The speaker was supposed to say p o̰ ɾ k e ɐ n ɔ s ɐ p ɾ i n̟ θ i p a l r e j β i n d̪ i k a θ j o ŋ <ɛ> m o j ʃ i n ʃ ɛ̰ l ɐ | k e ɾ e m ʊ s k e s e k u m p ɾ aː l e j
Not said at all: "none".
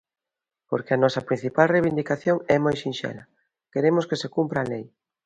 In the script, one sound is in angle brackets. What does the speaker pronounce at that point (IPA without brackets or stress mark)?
ɛ